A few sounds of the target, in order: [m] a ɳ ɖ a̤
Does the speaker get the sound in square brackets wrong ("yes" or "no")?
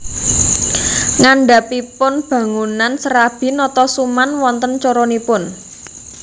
yes